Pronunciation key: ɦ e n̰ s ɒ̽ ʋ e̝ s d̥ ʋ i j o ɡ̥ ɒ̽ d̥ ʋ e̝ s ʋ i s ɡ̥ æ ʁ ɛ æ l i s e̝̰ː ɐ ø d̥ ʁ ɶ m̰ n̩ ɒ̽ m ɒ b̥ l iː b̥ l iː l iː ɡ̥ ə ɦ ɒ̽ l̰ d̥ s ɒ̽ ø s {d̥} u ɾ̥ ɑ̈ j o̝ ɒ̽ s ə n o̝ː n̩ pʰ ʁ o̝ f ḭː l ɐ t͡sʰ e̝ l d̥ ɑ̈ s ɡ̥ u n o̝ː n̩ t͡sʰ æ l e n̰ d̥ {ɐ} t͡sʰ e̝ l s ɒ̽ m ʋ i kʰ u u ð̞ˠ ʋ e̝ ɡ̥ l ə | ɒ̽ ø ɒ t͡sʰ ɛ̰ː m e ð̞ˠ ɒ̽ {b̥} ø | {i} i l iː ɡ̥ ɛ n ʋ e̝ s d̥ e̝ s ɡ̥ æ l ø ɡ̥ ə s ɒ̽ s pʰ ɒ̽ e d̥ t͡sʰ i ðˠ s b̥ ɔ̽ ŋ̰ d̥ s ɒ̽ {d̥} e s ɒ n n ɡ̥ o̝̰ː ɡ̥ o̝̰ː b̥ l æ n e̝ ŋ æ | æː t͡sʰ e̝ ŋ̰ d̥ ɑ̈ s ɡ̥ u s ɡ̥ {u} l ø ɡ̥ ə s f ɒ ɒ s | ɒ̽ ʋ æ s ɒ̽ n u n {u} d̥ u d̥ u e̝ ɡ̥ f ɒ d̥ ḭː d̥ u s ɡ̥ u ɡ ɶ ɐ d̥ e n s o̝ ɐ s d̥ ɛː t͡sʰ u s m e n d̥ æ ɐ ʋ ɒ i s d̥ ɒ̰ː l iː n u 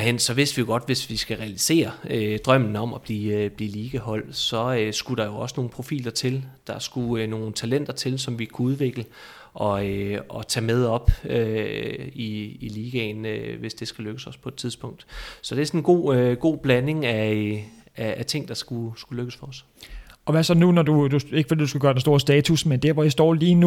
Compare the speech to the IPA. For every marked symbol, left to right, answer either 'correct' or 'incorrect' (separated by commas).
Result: incorrect, correct, correct, correct, correct, correct, incorrect